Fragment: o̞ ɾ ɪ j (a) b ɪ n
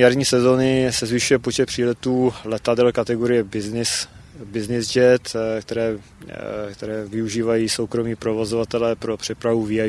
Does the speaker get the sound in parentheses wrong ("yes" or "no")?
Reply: yes